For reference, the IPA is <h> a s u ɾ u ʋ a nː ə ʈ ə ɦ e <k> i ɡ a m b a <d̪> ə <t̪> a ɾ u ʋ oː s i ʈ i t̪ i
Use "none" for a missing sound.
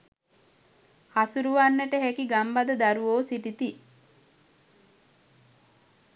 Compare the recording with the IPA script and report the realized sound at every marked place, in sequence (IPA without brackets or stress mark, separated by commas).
h, k, d̪, d̪